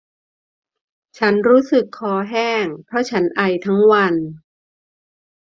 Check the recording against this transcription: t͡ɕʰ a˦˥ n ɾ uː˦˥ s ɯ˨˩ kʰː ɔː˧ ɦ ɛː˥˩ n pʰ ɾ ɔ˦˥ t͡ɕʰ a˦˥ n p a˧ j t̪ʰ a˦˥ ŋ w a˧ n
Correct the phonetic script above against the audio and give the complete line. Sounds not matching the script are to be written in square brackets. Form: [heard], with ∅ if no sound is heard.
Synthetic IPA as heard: t͡ɕʰ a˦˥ n ɾ uː˦˥ s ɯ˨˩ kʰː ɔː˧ ɦ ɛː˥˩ [ŋ] pʰ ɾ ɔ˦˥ t͡ɕʰ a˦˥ n [ʔ] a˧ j t̪ʰ a˦˥ ŋ w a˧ n